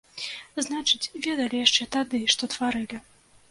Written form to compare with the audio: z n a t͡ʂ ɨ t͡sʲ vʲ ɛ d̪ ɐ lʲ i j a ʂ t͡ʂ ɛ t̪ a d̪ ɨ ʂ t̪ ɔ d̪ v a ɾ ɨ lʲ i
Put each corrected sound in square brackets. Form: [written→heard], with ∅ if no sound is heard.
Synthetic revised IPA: z n a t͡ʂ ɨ t͡sʲ vʲ ɛ d̪ ɐ lʲ i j a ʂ t͡ʂ ɛ t̪ a d̪ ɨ ʂ t̪ ɔ [d̪→t̪] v a ɾ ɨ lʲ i